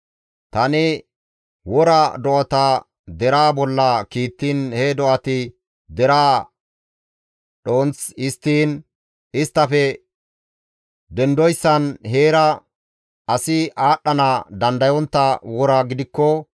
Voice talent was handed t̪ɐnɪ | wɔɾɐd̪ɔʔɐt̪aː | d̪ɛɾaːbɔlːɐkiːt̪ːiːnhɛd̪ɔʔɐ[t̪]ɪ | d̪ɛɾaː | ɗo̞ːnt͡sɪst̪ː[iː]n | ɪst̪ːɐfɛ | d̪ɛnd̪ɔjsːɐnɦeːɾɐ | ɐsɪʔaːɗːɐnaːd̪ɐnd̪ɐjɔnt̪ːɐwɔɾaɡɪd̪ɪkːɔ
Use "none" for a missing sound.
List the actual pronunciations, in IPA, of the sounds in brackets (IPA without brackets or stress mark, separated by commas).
t̪, iː